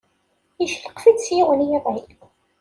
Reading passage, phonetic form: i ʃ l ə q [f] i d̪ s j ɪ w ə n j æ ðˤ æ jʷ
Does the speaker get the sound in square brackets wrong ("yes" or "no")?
no